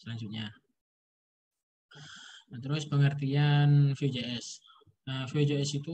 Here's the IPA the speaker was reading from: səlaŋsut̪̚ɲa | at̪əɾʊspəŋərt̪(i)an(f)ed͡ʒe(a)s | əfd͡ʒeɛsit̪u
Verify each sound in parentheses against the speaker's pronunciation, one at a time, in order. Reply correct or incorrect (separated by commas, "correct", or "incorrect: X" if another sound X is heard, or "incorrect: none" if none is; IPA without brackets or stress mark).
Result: correct, correct, incorrect: ɛ